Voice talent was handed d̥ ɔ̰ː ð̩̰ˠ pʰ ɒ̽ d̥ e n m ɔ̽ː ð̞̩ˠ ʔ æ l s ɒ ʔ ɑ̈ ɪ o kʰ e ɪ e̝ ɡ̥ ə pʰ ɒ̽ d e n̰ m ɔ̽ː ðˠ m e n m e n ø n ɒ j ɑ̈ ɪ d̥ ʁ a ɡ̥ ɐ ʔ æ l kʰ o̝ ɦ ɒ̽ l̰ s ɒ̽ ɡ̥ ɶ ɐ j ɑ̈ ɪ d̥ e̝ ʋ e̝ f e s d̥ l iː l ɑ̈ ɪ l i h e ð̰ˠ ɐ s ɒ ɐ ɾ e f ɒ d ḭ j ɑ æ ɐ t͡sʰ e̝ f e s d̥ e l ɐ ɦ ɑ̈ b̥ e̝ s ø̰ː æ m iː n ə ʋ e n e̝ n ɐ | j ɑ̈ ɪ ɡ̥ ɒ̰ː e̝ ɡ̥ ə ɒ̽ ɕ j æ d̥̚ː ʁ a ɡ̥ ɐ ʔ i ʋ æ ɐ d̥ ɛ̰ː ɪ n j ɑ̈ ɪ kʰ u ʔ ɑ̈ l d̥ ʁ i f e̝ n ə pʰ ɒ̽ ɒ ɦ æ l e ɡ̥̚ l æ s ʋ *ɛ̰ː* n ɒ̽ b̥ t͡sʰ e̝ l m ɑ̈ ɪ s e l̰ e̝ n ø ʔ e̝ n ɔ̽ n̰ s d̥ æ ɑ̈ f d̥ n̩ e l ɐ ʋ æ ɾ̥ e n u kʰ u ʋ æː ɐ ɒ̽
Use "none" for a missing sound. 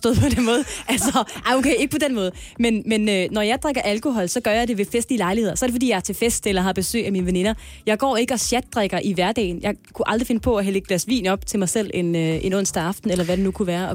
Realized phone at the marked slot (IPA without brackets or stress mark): ḭː